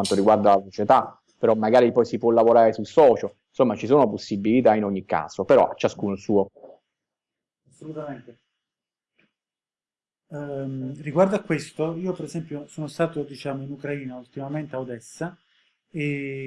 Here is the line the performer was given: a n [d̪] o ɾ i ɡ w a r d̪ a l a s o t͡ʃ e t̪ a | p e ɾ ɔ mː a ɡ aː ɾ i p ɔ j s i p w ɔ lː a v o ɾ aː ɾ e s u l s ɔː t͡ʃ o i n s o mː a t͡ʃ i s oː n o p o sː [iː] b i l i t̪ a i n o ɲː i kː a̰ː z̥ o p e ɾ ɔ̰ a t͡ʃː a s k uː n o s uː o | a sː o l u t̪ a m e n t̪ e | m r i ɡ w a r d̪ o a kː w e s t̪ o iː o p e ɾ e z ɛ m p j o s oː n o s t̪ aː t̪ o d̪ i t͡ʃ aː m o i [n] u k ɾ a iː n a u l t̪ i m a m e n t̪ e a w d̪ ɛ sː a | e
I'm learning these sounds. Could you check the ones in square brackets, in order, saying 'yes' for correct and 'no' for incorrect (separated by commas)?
no, no, yes